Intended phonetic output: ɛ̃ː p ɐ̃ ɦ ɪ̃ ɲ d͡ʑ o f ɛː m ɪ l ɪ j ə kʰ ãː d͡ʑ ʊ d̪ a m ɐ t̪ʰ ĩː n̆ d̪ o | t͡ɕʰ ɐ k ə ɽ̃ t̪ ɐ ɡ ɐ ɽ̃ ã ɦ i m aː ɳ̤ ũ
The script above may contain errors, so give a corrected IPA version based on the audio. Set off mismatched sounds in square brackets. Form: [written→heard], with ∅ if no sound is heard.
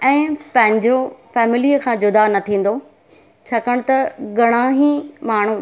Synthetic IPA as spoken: ɛ̃ː p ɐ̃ ɦ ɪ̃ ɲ d͡ʑ o f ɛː m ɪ l [ɪ→i] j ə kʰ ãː d͡ʑ ʊ d̪ a [m→n] ɐ t̪ʰ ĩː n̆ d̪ o | t͡ɕʰ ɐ k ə ɽ̃ t̪ ɐ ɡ ɐ ɽ̃ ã ɦ i m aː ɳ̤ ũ